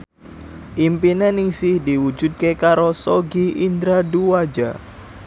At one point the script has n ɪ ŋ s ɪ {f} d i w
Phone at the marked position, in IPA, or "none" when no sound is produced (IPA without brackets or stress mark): h